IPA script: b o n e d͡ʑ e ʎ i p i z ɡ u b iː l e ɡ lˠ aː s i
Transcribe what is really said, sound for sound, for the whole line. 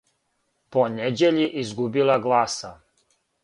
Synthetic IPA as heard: p o n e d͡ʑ e ʎ i ʔ i z ɡ u b i l a ɡ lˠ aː s a